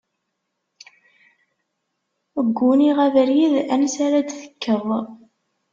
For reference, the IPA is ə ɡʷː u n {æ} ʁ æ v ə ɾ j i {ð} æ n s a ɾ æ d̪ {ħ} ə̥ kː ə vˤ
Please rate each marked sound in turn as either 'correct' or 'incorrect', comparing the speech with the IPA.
incorrect, correct, incorrect

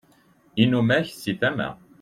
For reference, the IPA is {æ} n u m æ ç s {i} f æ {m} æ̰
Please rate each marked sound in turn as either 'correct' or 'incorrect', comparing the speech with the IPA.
incorrect, correct, correct

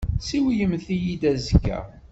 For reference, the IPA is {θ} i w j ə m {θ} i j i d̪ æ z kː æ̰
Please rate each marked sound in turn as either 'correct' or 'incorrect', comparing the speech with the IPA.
incorrect, correct

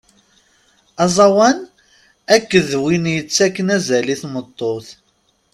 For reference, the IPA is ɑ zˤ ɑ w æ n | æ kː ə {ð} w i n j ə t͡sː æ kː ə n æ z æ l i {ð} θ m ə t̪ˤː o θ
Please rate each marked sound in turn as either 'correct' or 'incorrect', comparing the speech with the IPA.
correct, incorrect

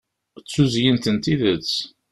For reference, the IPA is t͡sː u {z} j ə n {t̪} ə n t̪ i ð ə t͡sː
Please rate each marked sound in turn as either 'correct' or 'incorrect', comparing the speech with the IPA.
correct, correct

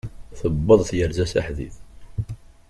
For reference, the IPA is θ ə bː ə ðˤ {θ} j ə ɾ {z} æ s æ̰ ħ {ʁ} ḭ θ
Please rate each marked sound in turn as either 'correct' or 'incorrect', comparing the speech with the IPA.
correct, correct, incorrect

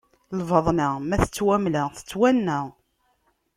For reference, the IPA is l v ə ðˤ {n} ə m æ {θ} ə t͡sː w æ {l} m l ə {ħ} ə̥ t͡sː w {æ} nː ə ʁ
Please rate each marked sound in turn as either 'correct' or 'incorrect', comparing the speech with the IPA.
correct, correct, incorrect, incorrect, correct

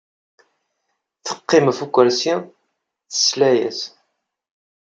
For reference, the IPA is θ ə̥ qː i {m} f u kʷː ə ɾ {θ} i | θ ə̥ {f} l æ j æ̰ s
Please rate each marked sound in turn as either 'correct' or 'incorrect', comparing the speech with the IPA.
correct, incorrect, incorrect

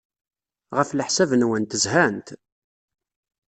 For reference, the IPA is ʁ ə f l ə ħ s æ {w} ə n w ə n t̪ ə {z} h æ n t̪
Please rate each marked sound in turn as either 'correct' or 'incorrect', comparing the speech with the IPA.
incorrect, correct

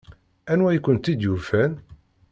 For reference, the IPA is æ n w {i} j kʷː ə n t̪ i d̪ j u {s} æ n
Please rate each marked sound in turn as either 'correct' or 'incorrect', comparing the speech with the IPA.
incorrect, incorrect

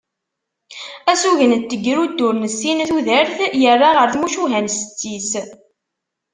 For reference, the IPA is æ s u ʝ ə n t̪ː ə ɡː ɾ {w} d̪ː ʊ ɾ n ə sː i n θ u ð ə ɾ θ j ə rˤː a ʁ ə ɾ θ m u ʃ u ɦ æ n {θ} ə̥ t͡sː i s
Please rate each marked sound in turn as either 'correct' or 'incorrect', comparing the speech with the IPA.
incorrect, incorrect

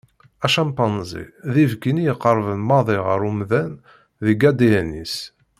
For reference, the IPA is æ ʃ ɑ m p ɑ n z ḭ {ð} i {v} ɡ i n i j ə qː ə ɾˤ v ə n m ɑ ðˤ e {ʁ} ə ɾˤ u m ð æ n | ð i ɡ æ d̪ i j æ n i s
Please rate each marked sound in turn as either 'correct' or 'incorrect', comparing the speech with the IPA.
correct, correct, correct

